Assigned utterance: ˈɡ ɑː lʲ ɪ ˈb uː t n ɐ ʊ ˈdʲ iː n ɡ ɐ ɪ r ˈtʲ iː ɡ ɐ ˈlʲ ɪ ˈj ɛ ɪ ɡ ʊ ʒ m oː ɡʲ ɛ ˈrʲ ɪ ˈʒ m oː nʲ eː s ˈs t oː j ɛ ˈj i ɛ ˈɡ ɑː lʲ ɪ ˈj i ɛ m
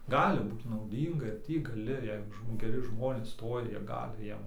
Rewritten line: ˈɡ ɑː lʲ ɪ ˈb uː t n ɐ ʊ ˈdʲ iː ŋ ɡ ɐ ɪ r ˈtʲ iː ɡ ɐ ˈlʲ ɪ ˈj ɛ ɪ ɡ ʊ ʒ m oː ɡʲ ɛ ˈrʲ ɪ ˈʒ m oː nʲ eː s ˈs t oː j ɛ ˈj i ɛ ˈɡ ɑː lʲ ɪ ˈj i ɛ m